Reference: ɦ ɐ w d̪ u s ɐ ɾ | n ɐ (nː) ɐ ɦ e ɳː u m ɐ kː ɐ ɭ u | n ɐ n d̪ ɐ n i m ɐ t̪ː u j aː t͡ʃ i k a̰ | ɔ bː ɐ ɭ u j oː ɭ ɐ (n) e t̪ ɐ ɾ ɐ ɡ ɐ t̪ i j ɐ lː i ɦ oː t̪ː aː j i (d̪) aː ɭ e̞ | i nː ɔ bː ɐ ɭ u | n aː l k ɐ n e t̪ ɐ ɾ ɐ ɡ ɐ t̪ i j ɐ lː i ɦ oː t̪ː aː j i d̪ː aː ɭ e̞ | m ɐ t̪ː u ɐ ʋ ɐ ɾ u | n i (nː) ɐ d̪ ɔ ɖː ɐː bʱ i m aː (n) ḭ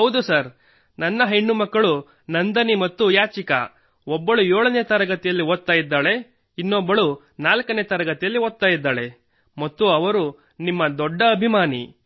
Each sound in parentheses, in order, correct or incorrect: correct, correct, incorrect, incorrect, correct

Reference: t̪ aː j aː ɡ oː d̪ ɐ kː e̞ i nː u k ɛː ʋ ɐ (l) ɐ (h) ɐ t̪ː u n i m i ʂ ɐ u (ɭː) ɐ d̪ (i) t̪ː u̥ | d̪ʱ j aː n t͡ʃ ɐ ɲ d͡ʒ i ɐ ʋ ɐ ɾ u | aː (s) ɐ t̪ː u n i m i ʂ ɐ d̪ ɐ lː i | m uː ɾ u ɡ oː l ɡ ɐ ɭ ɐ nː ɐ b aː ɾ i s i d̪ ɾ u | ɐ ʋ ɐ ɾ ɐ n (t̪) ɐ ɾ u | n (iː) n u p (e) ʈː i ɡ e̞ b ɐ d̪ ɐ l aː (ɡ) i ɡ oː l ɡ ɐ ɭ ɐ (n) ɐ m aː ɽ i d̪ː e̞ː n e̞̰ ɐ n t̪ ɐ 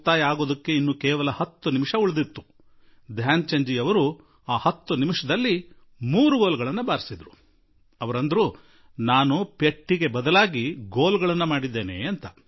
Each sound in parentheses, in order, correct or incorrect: correct, correct, incorrect, correct, incorrect, incorrect, incorrect, correct, correct, incorrect

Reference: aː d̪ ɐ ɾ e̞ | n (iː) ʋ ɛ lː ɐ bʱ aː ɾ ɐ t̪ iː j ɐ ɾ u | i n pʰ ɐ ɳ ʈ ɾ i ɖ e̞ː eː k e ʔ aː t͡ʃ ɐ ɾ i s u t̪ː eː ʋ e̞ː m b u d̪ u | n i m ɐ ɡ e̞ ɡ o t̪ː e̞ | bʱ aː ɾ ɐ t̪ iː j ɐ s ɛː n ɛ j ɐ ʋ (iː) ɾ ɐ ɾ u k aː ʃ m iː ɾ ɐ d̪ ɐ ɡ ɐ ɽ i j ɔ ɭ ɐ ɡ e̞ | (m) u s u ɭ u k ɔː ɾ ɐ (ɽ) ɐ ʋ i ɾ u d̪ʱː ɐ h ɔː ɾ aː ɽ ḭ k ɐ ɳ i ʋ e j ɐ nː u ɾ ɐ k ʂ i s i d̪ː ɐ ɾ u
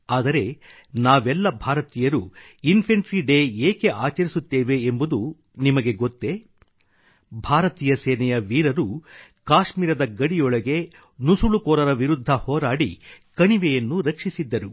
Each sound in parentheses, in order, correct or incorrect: incorrect, correct, incorrect, incorrect

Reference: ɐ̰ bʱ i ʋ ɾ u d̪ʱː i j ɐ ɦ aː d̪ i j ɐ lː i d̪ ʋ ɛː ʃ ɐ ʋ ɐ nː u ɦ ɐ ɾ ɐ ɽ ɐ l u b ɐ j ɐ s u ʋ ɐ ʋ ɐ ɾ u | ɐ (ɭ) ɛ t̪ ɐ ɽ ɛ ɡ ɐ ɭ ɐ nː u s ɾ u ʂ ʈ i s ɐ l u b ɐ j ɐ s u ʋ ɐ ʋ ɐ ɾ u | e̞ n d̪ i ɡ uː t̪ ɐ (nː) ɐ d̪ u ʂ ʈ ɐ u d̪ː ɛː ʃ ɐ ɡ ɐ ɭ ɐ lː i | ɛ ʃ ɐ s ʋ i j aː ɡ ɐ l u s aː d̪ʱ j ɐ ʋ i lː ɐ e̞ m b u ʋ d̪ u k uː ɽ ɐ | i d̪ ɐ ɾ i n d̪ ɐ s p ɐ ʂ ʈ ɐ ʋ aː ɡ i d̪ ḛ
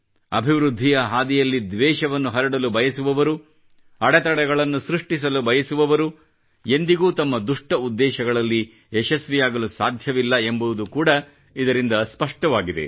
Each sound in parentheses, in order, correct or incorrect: incorrect, incorrect

